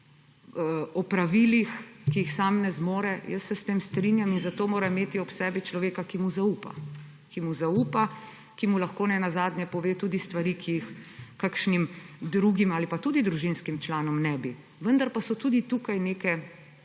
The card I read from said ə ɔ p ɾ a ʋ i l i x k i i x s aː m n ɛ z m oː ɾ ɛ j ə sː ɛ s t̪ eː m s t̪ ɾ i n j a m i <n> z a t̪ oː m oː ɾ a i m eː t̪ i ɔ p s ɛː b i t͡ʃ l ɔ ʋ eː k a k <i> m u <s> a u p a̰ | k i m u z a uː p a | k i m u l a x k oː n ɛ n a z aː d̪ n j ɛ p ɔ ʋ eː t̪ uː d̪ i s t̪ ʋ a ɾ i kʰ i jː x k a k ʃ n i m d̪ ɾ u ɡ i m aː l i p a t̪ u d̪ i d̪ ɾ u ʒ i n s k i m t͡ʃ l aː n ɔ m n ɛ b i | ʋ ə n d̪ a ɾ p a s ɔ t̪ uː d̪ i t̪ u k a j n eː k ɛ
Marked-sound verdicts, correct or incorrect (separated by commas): correct, correct, incorrect